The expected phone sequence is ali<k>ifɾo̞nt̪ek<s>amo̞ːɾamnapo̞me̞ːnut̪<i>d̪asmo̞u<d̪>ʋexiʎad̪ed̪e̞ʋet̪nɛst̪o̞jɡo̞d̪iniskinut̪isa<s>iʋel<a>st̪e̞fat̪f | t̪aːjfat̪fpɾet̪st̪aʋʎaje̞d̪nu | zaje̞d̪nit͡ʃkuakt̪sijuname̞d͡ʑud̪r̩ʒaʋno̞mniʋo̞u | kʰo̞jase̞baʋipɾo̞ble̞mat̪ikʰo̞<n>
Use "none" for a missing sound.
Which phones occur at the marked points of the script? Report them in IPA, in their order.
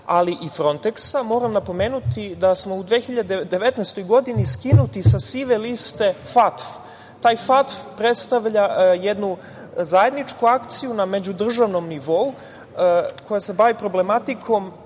ʔ, s, i, d̪, s, i, m

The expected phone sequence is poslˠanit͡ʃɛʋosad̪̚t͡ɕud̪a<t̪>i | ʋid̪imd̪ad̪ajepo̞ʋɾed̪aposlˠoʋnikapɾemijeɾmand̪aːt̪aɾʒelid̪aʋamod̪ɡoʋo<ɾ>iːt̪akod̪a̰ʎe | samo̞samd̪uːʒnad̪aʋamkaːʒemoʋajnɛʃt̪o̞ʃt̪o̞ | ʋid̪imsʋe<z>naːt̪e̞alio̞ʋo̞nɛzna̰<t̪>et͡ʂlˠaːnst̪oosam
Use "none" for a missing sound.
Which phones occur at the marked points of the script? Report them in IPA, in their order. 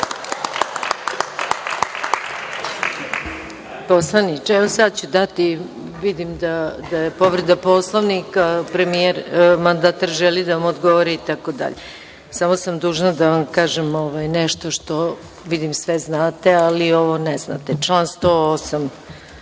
t̪, ɾ, z, t̪

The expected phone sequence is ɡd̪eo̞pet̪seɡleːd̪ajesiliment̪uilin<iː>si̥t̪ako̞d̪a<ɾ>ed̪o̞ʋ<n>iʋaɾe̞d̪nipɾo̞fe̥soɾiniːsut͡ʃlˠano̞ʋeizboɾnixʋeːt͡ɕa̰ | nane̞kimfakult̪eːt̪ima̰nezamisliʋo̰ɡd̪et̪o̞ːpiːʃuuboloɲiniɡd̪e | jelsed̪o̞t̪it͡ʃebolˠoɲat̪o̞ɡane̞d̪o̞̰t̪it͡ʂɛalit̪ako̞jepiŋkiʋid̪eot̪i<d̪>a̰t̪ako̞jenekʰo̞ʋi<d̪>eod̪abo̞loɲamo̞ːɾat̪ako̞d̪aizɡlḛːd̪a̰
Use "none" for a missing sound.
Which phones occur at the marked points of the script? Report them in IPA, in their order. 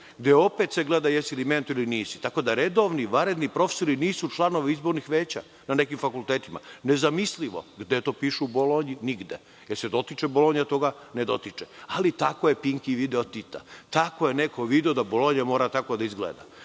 iː, ɾ, n, t̪, d̪

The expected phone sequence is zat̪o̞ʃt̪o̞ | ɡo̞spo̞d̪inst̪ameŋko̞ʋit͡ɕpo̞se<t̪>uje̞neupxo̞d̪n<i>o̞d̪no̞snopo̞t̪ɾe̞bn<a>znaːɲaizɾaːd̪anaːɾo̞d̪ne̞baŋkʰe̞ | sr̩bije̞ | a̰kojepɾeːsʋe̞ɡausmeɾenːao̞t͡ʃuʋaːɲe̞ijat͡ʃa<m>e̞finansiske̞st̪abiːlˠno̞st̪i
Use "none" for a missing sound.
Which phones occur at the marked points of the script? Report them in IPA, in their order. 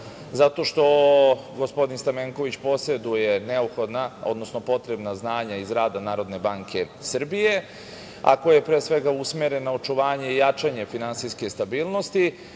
d̪, a, a, ɲ

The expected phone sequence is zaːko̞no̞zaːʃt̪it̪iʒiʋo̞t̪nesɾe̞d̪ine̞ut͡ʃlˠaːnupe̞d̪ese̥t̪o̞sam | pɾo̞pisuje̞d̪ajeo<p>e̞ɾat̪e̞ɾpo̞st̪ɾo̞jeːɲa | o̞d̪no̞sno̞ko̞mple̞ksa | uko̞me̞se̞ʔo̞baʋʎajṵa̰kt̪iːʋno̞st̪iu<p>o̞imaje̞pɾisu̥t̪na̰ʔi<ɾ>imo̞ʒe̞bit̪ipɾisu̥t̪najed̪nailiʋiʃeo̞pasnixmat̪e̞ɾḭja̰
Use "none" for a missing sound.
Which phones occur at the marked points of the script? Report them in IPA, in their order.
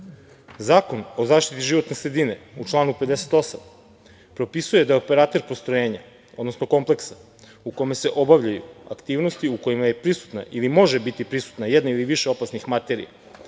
p, k, l

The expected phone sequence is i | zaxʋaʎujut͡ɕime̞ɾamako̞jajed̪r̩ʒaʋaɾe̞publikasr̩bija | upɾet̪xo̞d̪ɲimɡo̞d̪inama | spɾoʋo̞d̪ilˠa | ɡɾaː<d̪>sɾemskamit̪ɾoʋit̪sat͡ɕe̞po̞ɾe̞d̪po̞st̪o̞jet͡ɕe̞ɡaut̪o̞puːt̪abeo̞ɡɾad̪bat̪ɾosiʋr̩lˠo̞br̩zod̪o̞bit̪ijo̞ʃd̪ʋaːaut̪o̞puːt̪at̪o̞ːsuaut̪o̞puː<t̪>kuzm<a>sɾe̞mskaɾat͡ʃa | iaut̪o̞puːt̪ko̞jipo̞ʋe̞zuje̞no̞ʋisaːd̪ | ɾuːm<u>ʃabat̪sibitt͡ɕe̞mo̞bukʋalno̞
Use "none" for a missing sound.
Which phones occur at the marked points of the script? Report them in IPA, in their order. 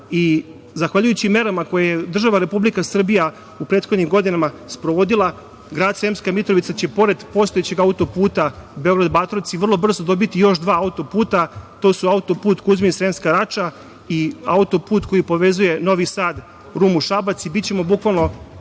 d̪, t̪, i, u

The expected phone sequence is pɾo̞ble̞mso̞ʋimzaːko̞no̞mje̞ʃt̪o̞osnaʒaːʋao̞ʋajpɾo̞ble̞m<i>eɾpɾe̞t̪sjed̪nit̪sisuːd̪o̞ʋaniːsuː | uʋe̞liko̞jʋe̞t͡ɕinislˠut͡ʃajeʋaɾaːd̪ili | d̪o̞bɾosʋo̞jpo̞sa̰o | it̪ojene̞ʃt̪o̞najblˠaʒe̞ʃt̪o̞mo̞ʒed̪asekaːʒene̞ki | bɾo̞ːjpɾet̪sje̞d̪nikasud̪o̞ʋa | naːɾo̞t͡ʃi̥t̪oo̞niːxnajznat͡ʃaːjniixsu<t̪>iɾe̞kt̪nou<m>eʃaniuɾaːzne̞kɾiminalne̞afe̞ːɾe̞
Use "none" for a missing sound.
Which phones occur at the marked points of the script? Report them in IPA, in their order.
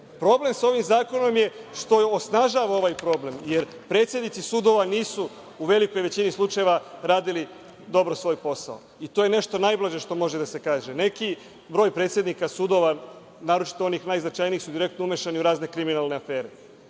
j, d̪, m

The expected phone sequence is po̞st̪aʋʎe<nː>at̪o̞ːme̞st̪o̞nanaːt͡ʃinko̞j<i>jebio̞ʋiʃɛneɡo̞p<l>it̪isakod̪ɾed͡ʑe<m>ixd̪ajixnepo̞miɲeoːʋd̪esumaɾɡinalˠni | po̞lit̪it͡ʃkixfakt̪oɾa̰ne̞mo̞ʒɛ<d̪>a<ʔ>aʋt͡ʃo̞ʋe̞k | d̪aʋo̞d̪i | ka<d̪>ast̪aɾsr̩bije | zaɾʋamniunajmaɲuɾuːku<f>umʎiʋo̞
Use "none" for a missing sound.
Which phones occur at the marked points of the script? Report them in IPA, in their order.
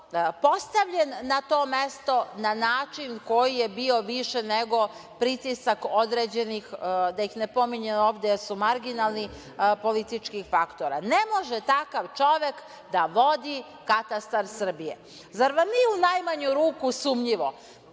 nː, i, ɾ, n, t̪, k, t̪, s

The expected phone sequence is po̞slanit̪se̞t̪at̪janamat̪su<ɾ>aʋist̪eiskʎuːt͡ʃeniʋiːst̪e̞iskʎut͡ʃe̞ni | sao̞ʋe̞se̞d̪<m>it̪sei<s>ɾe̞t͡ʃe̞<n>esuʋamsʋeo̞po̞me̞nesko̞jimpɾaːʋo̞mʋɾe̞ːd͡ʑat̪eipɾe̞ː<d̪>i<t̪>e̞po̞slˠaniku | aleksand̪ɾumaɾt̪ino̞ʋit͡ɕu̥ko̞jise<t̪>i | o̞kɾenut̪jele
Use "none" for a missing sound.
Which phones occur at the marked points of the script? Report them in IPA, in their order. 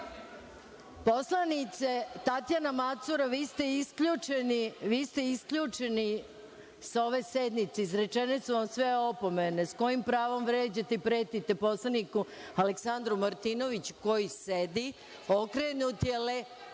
ɾ, n, z, n, t̪, t̪, d̪

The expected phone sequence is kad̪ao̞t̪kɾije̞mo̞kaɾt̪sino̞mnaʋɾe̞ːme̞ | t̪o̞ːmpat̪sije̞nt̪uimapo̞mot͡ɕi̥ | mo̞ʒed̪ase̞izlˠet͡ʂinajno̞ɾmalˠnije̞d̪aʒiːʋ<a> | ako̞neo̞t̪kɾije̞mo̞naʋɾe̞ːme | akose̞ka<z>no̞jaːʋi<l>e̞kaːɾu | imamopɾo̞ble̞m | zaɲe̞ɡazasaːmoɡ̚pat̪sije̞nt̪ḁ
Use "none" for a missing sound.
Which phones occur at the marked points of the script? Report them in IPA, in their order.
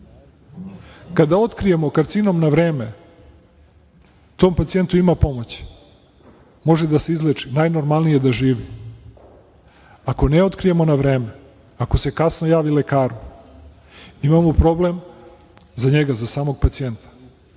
i, s, l

